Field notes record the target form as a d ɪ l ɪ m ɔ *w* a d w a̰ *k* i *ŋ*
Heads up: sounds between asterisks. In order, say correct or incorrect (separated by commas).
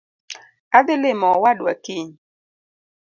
correct, correct, incorrect